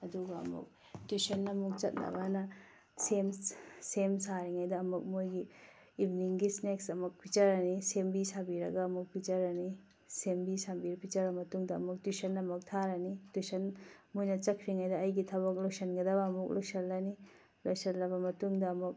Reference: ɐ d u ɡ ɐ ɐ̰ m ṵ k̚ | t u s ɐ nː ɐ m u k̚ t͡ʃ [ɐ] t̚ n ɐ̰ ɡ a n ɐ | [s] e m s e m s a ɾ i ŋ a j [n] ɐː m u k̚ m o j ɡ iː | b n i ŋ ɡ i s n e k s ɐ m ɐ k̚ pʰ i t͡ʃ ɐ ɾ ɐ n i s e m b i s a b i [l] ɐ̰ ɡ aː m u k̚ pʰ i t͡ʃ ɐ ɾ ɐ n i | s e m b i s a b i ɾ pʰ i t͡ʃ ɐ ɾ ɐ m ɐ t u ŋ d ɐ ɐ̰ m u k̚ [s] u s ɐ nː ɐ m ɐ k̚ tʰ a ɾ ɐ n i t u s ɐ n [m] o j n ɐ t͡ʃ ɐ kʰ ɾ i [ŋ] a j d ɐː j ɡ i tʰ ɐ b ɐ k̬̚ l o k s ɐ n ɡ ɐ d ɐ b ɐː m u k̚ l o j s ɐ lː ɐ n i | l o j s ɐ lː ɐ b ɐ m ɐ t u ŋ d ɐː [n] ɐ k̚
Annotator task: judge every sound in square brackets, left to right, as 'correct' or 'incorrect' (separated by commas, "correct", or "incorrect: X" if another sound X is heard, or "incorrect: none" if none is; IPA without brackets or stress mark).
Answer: correct, correct, incorrect: d, incorrect: ɾ, incorrect: t, correct, correct, incorrect: m